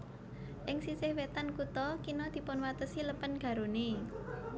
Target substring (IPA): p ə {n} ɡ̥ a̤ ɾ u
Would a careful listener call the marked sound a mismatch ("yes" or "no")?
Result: no